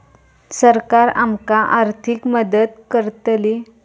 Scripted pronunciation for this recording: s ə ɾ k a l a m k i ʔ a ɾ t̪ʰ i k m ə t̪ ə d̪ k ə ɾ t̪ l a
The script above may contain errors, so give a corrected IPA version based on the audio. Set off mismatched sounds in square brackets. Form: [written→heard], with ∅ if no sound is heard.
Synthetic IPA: s ə ɾ k a [l→ɾ] a m k [i→a] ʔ a ɾ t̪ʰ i k m ə [t̪→d̪] ə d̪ k ə ɾ t̪ l [a→i]